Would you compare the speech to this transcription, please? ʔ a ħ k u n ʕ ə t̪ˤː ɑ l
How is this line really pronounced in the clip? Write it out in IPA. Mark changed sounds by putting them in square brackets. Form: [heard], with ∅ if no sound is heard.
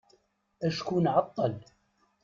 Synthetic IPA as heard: ʔ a [ʃ] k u n ʕ [ɑ] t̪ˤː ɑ l